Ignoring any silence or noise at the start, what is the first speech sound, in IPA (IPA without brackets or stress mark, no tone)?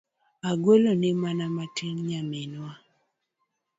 a